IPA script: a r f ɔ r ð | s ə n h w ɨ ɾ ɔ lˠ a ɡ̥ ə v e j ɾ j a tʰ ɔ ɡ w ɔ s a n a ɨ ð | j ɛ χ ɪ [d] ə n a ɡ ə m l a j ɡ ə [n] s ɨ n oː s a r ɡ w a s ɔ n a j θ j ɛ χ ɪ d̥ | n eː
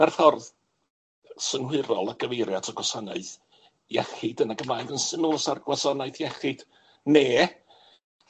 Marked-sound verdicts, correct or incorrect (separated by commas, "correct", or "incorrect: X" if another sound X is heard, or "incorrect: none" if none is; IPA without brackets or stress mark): correct, correct